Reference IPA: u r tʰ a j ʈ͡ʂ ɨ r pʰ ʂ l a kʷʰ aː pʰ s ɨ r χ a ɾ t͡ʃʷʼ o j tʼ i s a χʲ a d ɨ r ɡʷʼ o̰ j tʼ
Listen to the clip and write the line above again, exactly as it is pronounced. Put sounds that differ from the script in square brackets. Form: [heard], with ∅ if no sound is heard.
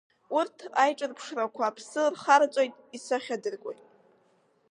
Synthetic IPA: u r tʰ a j [ʈ͡ʂʼ] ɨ r pʰ ʂ [r] a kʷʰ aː pʰ s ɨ r χ a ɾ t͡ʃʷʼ o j tʼ i s a χʲ a d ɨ r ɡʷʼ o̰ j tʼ